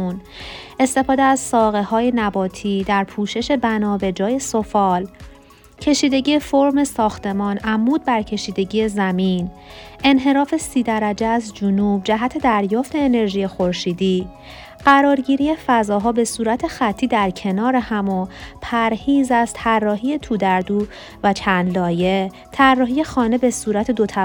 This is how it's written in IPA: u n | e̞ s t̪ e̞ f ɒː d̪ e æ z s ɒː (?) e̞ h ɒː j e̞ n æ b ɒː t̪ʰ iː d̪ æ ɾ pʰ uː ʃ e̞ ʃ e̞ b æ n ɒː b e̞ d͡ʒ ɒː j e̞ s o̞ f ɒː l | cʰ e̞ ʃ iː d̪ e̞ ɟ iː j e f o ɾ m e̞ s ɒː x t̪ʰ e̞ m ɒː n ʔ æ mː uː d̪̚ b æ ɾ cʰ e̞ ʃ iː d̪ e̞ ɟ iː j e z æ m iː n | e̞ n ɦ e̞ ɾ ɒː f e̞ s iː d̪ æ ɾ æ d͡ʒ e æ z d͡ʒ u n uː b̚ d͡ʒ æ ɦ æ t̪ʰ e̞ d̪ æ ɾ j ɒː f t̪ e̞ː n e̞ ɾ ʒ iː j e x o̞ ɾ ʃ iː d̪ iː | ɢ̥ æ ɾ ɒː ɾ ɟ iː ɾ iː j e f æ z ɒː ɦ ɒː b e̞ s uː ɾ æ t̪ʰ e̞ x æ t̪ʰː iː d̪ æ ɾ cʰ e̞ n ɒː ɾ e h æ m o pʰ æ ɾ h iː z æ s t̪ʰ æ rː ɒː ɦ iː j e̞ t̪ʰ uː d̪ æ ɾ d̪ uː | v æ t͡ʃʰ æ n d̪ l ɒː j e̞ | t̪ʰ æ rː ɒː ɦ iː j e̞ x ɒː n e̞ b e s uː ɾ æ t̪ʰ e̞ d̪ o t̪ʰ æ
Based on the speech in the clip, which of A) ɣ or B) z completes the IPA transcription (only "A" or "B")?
A